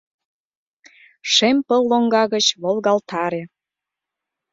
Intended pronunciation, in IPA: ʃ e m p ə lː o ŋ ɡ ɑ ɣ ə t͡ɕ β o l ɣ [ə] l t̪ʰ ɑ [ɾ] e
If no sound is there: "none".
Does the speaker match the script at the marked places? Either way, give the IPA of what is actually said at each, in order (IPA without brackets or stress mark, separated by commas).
ɑ, ɾ